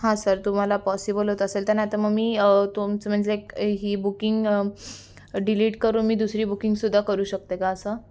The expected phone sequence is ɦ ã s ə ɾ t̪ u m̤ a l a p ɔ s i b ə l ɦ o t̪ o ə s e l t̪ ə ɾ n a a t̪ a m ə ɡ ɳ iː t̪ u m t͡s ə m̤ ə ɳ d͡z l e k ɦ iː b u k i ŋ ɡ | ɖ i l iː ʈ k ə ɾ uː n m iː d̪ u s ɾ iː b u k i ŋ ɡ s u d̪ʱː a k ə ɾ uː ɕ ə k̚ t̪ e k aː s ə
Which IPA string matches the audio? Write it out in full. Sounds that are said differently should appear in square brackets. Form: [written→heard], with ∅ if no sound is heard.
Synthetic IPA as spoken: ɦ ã s ə ɾ t̪ u m̤ a l a p ɔ s i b ə l ɦ o t̪ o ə s e l t̪ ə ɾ n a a t̪ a m ə ɡ [ɳ→m] iː t̪ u m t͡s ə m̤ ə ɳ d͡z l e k ɦ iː b u k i ŋ ɡ | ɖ i l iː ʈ k ə ɾ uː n m iː d̪ u s ɾ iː b u k i ŋ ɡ s u d̪ʱː a k ə ɾ uː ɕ ə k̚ t̪ e k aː s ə